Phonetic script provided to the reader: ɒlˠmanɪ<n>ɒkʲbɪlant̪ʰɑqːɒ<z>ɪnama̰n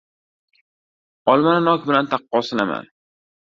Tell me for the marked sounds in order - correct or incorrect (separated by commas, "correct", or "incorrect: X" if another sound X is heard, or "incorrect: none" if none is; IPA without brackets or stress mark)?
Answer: correct, incorrect: s